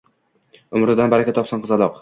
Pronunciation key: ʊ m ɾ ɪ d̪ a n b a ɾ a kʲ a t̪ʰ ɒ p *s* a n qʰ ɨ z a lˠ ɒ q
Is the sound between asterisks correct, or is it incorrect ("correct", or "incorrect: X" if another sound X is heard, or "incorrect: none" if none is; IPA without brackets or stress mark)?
correct